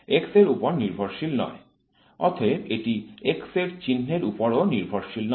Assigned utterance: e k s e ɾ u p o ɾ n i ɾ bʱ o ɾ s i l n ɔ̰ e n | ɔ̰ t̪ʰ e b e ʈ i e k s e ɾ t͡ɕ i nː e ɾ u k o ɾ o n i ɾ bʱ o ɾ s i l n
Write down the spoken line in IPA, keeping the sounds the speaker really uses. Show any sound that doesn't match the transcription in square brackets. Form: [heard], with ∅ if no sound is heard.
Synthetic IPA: e k s e ɾ u p o ɾ n i ɾ bʱ o ɾ [ʃ] i l n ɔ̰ e [∅] | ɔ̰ t̪ʰ e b e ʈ i e k s e ɾ t͡ɕ i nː e ɾ u [p] o ɾ o n i ɾ bʱ o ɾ [ʃ] i l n